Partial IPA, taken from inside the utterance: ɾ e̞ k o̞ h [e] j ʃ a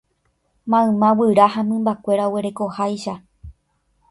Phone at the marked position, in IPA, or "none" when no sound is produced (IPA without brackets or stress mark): a